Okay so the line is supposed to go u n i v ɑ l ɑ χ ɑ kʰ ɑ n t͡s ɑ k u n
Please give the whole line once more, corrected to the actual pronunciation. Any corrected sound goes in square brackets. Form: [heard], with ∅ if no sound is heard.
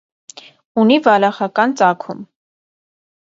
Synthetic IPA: u n i v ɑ l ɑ χ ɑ [k] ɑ n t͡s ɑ [kʰ] u [m]